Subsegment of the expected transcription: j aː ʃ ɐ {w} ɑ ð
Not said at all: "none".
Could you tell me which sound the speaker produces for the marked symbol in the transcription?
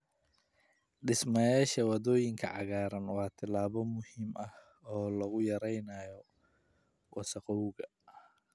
w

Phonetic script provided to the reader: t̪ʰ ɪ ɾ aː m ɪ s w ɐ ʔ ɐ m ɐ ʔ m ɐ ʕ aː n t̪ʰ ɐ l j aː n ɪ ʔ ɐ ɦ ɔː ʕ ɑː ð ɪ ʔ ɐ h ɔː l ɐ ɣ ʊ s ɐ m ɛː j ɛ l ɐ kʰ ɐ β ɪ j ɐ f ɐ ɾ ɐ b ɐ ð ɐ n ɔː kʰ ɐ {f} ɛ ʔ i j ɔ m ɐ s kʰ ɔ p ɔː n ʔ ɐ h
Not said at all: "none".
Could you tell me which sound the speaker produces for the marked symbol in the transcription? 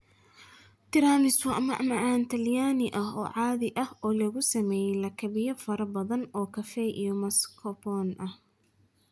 f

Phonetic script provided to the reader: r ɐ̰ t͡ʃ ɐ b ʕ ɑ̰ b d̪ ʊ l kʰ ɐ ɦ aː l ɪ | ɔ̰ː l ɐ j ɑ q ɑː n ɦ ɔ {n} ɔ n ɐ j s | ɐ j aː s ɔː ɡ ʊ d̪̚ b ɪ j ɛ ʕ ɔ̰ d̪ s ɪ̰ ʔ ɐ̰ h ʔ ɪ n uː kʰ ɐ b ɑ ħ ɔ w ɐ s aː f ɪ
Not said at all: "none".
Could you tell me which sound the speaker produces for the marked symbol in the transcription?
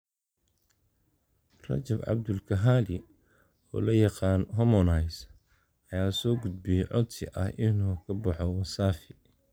m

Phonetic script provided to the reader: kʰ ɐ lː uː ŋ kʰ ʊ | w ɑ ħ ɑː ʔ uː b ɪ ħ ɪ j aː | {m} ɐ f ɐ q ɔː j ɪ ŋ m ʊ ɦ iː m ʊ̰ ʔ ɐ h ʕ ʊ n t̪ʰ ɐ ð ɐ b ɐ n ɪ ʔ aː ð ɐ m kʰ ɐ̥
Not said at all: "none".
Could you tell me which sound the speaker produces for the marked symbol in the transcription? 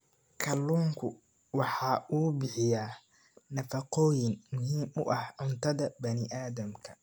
n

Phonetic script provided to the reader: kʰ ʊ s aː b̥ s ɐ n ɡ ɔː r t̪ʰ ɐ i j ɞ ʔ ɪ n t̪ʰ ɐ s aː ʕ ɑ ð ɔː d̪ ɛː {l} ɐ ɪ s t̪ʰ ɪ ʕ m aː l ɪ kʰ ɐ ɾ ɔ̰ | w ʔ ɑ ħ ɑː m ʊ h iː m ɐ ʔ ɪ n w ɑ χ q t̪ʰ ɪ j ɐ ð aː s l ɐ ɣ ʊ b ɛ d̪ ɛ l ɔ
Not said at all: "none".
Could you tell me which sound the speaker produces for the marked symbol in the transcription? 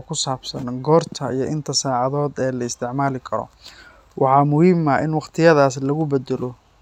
l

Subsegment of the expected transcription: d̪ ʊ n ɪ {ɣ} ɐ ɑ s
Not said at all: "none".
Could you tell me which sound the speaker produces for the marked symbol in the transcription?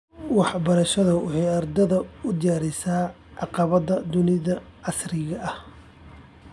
ð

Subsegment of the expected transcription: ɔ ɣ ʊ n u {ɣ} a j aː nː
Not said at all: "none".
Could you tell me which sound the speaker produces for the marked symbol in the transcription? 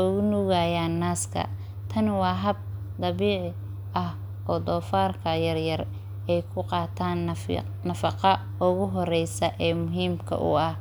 ɣ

